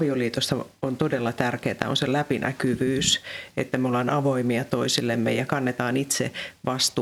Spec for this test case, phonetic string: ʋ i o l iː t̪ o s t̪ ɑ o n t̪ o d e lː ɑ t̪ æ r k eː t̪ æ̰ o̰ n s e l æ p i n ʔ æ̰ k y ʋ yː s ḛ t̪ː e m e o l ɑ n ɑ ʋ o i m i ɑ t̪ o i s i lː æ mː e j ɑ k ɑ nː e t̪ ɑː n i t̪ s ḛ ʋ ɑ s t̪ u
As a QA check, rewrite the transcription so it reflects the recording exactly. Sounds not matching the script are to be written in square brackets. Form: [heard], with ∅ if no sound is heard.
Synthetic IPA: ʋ i o l iː t̪ o s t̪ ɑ o n t̪ o d e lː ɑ t̪ æ r k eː t̪ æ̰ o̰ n s e l æ p i n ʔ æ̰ k y ʋ yː s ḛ t̪ː [æ] m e o l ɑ n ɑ ʋ o i m i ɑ t̪ o i s i lː [e] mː e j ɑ k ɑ nː e t̪ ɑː n i t̪ s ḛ ʋ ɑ s t̪ u